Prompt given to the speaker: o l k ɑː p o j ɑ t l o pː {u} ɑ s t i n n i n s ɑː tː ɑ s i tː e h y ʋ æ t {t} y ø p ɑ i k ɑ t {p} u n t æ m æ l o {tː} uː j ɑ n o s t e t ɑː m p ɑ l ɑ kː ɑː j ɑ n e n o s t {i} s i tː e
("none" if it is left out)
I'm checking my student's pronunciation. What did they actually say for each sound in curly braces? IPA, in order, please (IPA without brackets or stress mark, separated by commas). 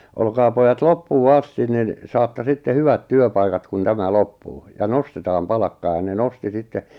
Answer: uː, t, k, pː, i